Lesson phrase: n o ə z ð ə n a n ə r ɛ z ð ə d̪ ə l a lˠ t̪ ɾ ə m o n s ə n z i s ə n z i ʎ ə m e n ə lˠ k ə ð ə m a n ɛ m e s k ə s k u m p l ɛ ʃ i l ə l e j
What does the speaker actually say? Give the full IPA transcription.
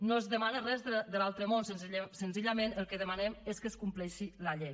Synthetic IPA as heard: n o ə z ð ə m a n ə r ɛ z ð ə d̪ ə l a lˠ t̪ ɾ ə m o n s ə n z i s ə n z i ʎ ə m e n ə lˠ k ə ð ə m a n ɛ m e s k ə s k u m p l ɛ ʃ i l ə ʎ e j